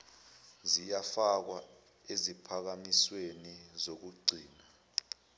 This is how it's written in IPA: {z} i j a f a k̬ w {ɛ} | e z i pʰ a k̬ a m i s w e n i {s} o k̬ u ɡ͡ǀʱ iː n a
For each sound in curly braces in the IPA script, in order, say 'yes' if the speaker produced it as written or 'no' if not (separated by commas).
yes, no, no